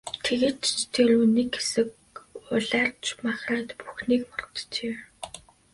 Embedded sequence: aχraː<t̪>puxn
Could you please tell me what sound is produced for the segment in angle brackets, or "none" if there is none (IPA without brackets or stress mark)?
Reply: t̪